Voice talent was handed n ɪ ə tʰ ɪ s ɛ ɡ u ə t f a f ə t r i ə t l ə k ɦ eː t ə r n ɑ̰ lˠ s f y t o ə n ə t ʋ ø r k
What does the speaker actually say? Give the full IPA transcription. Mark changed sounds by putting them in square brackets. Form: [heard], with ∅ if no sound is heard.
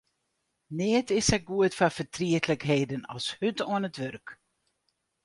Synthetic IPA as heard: n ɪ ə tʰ ɪ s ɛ ɡ u ə t f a f ə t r i ə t l ə k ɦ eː [d] ə [∅] n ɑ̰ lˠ s [h] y t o ə n ə t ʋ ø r k